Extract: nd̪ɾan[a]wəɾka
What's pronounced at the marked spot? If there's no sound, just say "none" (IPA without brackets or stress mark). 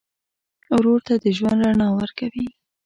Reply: ɑ